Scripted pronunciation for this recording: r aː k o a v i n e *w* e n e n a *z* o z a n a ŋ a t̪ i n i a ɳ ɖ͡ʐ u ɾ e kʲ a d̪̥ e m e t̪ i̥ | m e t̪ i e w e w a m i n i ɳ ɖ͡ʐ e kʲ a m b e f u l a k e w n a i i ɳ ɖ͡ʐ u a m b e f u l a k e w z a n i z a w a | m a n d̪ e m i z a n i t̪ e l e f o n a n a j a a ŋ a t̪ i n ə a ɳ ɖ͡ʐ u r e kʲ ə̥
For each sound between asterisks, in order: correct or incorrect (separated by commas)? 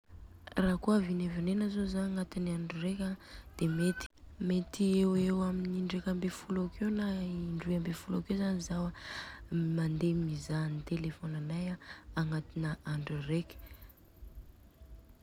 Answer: incorrect, correct